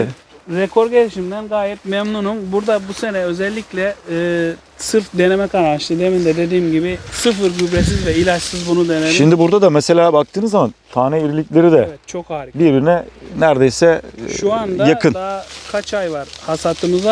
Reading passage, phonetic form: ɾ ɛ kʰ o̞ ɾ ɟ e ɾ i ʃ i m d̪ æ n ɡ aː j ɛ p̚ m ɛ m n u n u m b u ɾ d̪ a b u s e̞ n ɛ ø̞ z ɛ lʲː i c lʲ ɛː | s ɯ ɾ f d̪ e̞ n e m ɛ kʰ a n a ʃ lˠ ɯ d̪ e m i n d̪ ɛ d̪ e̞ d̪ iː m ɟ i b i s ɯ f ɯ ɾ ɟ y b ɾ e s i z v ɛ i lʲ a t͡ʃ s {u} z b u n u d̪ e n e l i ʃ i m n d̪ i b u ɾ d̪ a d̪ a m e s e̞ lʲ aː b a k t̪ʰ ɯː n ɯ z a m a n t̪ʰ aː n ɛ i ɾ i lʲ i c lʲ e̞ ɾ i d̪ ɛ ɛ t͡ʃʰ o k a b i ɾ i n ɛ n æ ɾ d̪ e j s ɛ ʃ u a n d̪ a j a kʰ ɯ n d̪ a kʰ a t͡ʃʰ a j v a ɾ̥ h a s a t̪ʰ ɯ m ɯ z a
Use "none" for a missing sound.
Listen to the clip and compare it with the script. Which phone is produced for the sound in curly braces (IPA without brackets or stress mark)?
ɯ